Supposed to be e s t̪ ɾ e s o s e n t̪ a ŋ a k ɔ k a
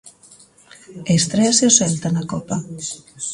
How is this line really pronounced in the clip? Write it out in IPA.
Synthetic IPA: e s t̪ ɾ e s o s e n t̪ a n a k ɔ p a

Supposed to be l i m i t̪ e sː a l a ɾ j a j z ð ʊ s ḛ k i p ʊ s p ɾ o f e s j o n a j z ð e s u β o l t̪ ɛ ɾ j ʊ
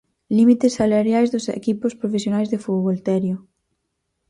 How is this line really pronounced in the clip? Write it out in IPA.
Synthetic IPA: l i m i t̪ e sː a l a ɾ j a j z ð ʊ s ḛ k i p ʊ s p ɾ o f e s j o n a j z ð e f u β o l t̪ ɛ ɾ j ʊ

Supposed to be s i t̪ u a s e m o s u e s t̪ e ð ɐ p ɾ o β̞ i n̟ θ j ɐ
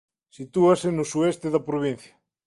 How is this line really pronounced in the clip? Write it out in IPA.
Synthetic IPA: s i t̪ u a s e n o s u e s t̪ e ð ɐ p ɾ o β̞ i n̟ θ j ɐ

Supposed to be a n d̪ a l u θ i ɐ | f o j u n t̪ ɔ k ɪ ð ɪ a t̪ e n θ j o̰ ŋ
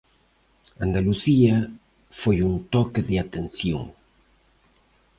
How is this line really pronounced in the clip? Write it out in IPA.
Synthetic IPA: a n d̪ a l u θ i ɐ | f o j u n t̪ ɔ k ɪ ð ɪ a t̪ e n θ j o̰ ŋ

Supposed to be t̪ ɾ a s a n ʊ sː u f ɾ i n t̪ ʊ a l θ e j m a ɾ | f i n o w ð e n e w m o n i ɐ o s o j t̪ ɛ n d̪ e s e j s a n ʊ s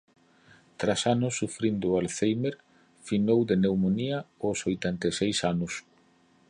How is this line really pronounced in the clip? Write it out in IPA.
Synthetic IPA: t̪ ɾ a s a n ʊ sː u f ɾ i n d̪ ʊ a l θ e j m e ɾ | f i n o w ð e n e w m o n i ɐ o s o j t̪ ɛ n t̪ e s e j s a n ʊ s

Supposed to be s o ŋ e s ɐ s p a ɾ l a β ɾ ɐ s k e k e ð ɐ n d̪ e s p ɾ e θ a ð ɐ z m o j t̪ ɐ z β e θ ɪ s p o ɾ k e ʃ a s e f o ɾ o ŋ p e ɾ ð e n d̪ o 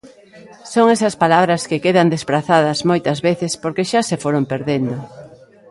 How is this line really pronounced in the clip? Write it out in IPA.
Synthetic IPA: s o ŋ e s ɐ s p a l a β ɾ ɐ s k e k e ð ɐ n d̪ e s p ɾ a θ a ð ɐ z m o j t̪ ɐ z β e θ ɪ s p o ɾ k e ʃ a s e f o ɾ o m p e ɾ ð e n d̪ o

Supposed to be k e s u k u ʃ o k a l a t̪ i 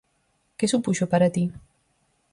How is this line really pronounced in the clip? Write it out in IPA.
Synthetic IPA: k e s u p u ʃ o p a ɾ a t̪ i

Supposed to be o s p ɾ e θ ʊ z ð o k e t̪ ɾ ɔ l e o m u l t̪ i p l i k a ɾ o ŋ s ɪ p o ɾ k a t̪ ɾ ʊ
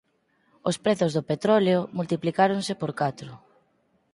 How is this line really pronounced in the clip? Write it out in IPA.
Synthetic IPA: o s p ɾ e θ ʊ z ð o p e t̪ ɾ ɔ l e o m u l t̪ i p l i k a ɾ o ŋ s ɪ p o ɾ k a t̪ ɾ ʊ

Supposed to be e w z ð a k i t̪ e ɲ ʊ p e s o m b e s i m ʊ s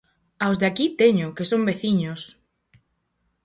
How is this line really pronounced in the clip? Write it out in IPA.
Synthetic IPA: a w z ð a k i t̪ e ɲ ʊ k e s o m b e θ i ɲ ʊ s

